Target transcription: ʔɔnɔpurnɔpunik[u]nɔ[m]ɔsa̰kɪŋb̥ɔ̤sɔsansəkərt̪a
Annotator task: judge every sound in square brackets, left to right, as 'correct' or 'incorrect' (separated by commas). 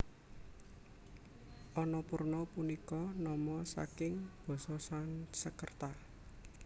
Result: incorrect, correct